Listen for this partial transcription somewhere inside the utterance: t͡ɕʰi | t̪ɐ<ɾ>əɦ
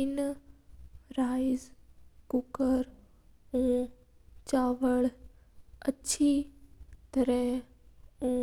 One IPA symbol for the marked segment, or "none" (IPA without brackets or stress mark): ɾ